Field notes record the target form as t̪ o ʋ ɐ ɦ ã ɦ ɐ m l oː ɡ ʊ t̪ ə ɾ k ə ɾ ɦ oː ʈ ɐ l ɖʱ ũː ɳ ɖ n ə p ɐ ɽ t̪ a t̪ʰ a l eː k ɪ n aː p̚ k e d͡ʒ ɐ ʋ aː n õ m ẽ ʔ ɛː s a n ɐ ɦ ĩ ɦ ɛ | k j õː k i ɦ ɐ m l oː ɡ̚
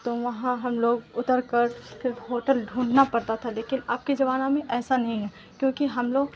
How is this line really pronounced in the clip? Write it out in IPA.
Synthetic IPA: t̪ o ʋ ɐ ɦ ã ɦ ɐ m l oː ɡ ʊ t̪ ə ɾ k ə ɾ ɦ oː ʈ ə l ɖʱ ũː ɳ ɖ n a p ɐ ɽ t̪ a t̪ʰ a l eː k ɪ n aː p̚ k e d͡ʒ ɐ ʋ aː n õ m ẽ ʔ ɛː s a n ɐ ɦ ĩ ɦ ɛ | k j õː k i ɦ ɐ m l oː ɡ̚